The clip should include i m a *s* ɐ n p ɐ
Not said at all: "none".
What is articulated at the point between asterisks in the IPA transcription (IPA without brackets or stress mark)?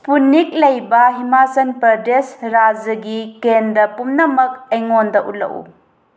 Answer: s